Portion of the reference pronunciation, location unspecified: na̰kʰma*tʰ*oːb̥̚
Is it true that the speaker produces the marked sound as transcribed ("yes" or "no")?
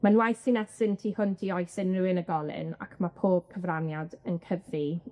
no